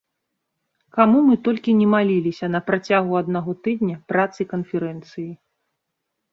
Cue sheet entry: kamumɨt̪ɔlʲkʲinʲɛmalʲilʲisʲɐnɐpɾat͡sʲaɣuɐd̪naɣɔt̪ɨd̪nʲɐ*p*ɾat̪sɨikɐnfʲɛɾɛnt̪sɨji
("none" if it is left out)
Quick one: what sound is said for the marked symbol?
p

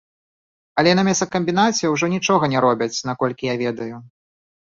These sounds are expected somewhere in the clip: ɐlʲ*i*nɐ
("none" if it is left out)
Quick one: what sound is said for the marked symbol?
ɛ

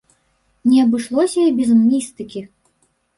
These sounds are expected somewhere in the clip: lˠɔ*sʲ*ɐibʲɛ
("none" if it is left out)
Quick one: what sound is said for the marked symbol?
sʲ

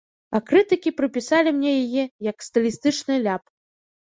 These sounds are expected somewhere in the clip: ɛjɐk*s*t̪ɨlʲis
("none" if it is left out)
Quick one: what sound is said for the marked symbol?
s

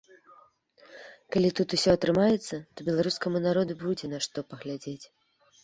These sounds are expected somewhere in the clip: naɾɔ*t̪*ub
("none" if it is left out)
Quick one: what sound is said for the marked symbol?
d̪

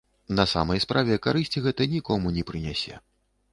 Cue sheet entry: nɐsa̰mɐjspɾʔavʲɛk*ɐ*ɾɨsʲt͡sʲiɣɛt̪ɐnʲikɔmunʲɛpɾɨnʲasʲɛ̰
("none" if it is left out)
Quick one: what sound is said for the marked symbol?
a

